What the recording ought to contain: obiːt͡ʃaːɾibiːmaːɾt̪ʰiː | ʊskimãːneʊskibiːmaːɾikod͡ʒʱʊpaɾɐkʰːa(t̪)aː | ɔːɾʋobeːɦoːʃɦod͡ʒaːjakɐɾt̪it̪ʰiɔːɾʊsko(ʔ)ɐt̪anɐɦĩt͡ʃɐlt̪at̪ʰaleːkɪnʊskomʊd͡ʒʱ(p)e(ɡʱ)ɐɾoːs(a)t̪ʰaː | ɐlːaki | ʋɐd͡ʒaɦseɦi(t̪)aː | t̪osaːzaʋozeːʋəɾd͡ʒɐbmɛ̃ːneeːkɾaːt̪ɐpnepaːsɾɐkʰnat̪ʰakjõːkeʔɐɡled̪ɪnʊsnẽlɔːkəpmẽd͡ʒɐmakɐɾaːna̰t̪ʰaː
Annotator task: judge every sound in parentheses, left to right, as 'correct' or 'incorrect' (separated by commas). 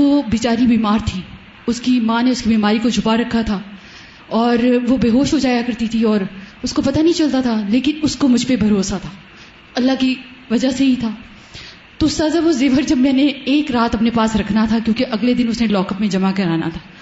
incorrect, incorrect, correct, incorrect, correct, incorrect